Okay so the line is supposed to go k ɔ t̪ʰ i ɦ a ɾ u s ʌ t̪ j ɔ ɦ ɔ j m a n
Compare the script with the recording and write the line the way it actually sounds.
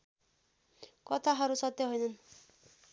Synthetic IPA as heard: k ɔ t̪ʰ a ɦ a ɾ u s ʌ t̪ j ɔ ɦ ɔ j n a n

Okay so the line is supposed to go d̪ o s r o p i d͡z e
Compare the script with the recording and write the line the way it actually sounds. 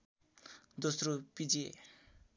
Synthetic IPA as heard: d̪ o s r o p i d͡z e

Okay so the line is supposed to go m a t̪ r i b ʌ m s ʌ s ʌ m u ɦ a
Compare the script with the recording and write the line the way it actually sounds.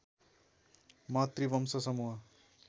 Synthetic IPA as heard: m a t̪ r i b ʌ m s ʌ s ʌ m u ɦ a

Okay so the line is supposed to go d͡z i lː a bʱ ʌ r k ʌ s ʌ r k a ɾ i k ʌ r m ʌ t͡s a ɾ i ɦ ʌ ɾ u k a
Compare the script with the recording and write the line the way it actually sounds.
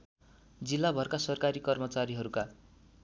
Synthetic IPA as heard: d͡z i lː a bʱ ʌ r k a s ʌ r k a ɾ i k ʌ r m ʌ t͡s a ɾ i ɦ ʌ ɾ u k a

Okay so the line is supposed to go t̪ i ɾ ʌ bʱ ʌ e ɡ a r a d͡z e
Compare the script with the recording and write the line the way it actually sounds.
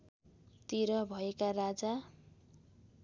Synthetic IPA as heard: t̪ i ɾ ʌ bʱ ʌ e k a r a d͡z a

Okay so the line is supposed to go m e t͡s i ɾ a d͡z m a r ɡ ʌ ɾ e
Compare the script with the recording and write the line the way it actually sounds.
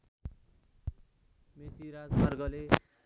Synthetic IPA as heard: m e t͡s i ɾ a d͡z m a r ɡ ʌ l e

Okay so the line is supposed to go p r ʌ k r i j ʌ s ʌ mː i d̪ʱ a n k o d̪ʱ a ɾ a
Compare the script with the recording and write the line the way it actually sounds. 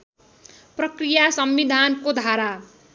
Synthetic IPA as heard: p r ʌ k r i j a s ʌ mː i d̪ʱ a n k o d̪ʱ a ɾ a

